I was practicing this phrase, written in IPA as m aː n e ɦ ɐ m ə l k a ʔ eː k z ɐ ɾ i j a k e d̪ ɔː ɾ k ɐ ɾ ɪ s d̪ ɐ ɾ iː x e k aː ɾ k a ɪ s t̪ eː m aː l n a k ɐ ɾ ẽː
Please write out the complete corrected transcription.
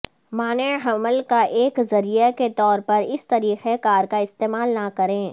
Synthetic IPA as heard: m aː n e ɦ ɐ m ə l k a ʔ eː k z ɐ ɾ i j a k e t̪ ɔː ɾ p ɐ ɾ ɪ s t̪ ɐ ɾ iː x e k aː ɾ k a ɪ s t̪ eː m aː l n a k ɐ ɾ ẽː